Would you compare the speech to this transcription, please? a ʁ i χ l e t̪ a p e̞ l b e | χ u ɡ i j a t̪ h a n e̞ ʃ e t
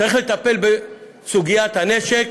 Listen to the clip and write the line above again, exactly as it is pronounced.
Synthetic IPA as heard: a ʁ i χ l e t̪ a p e̞ l b e | s u ɡ i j a t̪ h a n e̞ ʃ e k